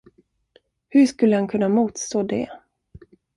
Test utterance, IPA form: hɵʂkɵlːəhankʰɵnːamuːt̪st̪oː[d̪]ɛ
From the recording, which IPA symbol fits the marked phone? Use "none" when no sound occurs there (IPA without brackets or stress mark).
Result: d̪